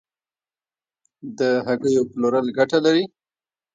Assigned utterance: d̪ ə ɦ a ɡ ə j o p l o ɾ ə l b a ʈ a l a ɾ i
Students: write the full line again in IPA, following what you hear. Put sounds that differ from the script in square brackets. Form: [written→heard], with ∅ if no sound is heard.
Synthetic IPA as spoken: d̪ ə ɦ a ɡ ə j o p l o ɾ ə l [b→ɡ] a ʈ a l a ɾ i